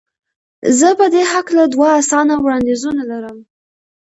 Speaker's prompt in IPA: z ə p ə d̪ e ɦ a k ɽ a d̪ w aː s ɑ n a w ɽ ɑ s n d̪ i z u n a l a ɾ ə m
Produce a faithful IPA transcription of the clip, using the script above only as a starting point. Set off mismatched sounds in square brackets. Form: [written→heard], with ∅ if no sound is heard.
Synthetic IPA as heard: z ə p ə d̪ e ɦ a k [ɽ→l] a d̪ w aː s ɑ n a w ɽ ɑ [s→∅] n d̪ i z u n a l a ɾ ə m

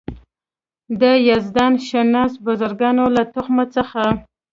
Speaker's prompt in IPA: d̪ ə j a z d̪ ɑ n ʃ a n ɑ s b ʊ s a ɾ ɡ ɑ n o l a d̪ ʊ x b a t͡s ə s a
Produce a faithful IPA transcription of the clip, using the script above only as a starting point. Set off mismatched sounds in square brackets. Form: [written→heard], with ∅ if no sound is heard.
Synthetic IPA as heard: d̪ ə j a z d̪ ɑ n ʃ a n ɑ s b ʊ [s→z] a ɾ ɡ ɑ n o l a [d̪→t̪] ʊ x [b→m] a t͡s ə [s→x] a

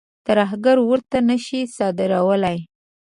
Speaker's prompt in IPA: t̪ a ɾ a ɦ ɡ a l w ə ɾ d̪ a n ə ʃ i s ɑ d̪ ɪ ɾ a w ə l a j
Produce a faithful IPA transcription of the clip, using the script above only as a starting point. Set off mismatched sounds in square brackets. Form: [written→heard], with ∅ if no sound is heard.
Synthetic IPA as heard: t̪ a ɾ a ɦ ɡ a [l→ɾ] w ə ɾ [d̪→t̪] a n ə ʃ i s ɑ d̪ ɪ ɾ a w ə l a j

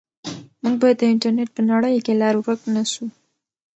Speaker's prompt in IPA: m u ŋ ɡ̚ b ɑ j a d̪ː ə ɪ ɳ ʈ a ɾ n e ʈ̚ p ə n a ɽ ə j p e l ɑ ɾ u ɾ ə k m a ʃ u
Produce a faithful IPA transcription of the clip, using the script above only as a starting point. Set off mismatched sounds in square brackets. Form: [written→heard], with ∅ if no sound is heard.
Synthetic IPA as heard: m u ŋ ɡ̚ b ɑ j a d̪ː ə ɪ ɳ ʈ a ɾ n e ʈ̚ p ə n a ɽ ə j [p→k] e l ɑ ɾ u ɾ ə k [m→n] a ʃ u

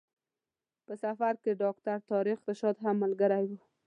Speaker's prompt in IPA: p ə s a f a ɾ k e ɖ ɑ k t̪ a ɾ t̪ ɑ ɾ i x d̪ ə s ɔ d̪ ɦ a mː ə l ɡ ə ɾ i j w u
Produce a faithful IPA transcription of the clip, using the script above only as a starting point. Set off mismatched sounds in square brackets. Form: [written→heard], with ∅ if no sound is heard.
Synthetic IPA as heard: p ə s a f a ɾ k e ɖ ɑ k t̪ a ɾ t̪ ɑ ɾ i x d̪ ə [s→ʃ] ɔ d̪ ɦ a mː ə l ɡ ə ɾ [i→a] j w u

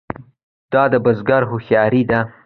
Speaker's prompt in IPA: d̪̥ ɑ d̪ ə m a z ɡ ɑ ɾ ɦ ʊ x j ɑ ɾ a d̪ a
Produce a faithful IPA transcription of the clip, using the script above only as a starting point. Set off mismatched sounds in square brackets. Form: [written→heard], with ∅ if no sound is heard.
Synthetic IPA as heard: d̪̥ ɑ d̪ ə [m→b] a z ɡ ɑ ɾ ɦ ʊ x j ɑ ɾ [a→i] d̪ a

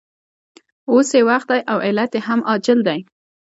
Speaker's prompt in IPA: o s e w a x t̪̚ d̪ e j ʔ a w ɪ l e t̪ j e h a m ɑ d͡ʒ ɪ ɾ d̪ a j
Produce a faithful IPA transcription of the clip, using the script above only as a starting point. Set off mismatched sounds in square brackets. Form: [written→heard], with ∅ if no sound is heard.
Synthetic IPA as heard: o s e w a x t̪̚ d̪ [e→a] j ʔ a w ɪ l [e→a] t̪ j e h a m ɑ d͡ʒ ɪ [ɾ→l] d̪ a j

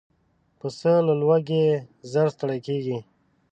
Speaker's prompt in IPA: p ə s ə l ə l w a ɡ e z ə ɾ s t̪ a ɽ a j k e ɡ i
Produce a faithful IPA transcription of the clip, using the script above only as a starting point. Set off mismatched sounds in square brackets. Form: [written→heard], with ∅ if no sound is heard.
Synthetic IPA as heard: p ə s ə l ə l w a ɡ e z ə ɾ s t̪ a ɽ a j k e ɡ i

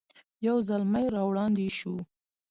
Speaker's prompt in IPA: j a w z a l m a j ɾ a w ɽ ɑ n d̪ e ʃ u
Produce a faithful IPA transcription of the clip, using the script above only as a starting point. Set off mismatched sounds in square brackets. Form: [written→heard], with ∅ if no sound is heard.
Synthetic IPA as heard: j a w z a l m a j ɾ [a→ɑ] w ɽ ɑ n d̪ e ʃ u

